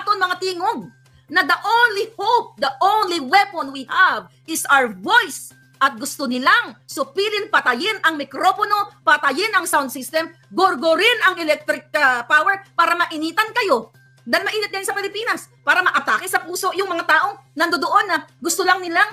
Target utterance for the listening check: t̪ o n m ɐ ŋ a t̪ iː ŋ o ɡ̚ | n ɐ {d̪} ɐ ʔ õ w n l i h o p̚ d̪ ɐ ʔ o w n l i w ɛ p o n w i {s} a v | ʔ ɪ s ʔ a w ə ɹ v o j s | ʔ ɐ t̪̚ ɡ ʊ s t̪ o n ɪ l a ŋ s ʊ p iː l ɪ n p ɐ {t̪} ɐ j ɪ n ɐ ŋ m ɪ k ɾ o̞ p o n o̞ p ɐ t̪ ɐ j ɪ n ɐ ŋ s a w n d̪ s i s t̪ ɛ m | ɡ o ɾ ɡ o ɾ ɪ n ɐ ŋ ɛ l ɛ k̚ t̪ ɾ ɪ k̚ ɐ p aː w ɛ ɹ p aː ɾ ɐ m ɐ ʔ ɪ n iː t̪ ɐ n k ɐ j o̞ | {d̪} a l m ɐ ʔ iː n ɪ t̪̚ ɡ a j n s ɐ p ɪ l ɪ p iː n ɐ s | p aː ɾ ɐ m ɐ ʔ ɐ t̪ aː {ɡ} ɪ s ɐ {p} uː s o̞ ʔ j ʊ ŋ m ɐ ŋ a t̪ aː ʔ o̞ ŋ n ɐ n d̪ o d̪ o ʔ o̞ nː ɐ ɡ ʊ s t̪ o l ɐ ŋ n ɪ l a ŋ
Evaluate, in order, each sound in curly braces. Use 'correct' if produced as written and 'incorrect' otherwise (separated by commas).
correct, incorrect, correct, correct, incorrect, correct